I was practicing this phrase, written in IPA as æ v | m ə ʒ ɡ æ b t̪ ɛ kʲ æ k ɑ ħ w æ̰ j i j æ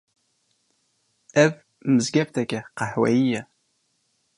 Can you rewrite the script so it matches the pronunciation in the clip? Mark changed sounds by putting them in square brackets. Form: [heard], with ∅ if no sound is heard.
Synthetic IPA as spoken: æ v | m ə [z] ɡ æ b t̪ [æ] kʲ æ [q] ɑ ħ w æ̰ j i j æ